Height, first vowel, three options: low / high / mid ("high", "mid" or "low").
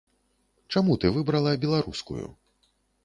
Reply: low